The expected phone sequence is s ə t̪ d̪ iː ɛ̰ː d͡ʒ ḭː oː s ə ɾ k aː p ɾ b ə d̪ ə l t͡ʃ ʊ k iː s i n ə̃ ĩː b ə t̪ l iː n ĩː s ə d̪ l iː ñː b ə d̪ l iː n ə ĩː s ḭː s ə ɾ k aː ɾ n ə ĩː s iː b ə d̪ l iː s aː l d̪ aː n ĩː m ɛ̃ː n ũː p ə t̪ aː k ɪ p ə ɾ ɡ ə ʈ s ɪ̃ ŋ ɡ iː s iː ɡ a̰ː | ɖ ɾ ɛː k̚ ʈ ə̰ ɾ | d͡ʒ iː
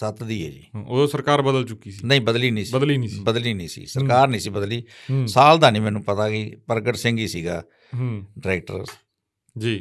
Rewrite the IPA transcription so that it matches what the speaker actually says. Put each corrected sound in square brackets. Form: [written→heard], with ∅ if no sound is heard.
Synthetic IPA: s ə t̪ d̪ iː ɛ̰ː d͡ʒ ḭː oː s ə ɾ k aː [p→∅] ɾ b ə d̪ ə l t͡ʃ ʊ k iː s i n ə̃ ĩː b ə [t̪→d̪] l iː n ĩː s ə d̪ l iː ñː b ə d̪ l iː n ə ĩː s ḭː s ə ɾ k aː ɾ n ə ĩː s iː b ə d̪ l iː s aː l d̪ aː n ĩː m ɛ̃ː n ũː p ə t̪ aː k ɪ p ə ɾ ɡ ə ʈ s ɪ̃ ŋ ɡ iː s iː ɡ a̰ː | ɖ ɾ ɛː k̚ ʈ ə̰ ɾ | d͡ʒ iː